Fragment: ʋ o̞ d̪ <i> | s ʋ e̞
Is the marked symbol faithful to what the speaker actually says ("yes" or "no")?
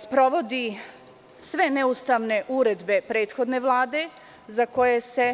yes